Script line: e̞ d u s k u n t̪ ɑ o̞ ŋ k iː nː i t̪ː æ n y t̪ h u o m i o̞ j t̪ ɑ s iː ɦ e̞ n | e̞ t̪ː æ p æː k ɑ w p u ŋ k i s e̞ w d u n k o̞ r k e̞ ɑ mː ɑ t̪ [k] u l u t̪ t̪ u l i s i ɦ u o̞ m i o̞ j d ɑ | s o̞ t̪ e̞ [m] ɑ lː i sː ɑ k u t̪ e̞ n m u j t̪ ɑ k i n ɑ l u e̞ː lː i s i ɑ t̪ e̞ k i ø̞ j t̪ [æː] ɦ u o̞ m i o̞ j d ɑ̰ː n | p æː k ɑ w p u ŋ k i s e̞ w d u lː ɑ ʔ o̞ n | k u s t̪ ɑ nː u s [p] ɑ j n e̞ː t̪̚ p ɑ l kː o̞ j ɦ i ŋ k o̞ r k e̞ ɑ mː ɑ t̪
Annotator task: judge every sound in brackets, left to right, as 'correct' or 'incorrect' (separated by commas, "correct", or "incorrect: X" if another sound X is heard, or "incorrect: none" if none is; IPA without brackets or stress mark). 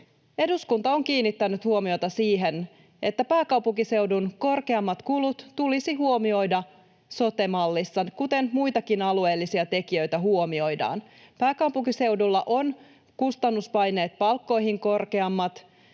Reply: correct, correct, incorrect: æ, correct